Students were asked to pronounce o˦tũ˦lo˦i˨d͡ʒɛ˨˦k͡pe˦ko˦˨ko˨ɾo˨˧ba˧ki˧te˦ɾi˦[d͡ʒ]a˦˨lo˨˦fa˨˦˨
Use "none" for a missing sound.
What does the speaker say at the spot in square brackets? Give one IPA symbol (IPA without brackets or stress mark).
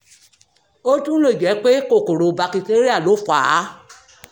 none